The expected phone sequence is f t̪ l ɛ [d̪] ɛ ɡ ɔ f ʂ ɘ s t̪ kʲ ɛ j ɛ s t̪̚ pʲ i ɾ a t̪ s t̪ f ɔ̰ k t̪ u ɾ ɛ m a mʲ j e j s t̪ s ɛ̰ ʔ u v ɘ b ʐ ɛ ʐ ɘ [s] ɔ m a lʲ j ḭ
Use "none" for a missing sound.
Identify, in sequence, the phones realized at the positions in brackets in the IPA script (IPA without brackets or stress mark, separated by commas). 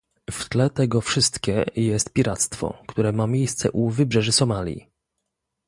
t̪, s